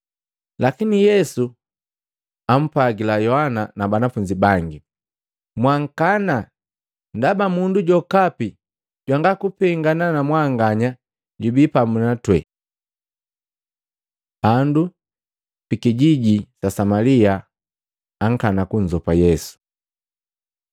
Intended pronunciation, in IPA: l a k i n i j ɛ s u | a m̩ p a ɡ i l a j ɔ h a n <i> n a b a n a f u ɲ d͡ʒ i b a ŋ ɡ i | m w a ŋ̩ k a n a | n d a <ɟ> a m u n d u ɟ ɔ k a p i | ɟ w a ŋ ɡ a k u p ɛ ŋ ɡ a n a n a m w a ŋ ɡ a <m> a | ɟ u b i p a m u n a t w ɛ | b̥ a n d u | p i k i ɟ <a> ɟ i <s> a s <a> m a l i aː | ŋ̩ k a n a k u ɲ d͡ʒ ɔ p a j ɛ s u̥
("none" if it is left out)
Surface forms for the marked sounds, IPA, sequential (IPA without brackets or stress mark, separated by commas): a, b, ɲ, i, s, a